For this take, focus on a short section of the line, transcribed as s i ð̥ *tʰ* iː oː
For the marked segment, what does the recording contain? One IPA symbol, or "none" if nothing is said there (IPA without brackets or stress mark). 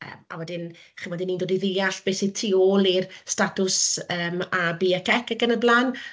tʰ